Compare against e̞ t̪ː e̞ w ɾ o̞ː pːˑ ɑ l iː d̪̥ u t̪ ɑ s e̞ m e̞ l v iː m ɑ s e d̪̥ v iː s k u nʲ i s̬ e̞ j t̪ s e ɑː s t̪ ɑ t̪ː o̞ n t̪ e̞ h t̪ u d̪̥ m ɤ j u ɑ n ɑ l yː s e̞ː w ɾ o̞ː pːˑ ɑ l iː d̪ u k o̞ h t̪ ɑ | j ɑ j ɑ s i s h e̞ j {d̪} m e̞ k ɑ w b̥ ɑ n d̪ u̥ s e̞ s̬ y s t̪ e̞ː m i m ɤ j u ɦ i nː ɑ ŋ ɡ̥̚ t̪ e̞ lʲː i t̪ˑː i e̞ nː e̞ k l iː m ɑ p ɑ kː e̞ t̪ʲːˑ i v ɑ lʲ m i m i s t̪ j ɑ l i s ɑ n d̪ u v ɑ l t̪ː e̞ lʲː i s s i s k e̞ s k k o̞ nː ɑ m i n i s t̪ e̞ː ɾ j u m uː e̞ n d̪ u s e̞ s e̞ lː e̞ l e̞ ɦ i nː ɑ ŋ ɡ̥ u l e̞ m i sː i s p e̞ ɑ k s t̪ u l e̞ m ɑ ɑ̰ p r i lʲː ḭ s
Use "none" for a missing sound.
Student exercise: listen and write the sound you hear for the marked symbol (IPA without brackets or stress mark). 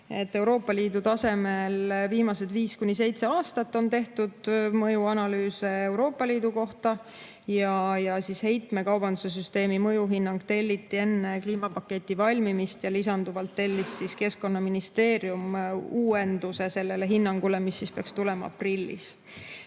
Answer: t̪